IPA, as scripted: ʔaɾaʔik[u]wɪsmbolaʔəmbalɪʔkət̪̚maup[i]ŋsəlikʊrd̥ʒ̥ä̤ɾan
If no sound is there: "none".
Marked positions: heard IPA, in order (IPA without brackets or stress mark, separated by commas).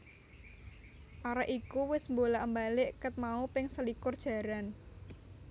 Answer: u, ɪ